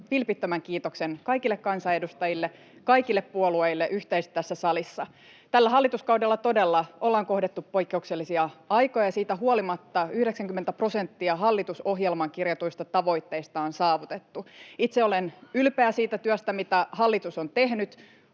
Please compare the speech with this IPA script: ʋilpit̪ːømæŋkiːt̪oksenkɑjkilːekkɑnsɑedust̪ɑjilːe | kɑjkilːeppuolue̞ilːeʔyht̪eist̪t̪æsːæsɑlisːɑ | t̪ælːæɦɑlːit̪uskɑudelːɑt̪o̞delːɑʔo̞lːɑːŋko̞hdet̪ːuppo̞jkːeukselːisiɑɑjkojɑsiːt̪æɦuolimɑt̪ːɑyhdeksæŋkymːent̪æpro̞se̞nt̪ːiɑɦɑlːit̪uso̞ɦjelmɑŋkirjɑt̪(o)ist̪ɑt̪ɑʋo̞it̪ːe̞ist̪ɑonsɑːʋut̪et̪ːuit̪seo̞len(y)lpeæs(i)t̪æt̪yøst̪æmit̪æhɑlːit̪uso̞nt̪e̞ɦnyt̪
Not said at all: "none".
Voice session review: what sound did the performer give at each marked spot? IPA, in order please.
u, y, iː

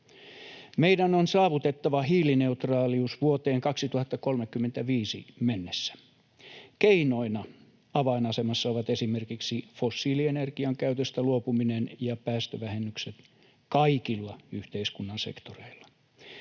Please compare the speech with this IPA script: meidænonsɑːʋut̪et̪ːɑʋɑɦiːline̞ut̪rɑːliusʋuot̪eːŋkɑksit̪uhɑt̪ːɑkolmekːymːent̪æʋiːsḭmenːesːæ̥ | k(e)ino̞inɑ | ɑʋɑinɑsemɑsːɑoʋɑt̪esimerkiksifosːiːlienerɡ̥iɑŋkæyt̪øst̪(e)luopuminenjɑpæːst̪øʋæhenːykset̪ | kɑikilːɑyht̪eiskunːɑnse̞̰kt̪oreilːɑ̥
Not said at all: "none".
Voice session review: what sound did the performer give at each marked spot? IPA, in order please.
e, æ

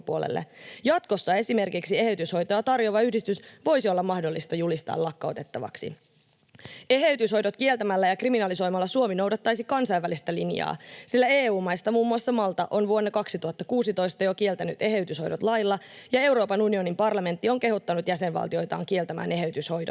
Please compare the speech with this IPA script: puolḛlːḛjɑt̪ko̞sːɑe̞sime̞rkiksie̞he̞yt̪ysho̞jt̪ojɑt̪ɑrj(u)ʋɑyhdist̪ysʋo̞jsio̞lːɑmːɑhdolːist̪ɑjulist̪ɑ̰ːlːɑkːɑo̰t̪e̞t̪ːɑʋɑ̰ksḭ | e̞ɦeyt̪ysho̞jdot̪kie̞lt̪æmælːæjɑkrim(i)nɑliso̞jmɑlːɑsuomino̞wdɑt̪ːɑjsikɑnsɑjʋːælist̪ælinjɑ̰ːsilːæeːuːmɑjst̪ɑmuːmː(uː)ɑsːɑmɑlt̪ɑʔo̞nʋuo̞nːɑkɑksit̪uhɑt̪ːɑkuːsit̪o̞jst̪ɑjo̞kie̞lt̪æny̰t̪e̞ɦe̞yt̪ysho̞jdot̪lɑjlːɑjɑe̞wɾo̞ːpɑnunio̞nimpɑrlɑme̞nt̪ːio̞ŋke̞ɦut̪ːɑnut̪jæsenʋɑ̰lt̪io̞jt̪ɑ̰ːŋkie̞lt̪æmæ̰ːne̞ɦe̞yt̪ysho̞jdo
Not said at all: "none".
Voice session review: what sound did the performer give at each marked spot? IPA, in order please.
o, i, u

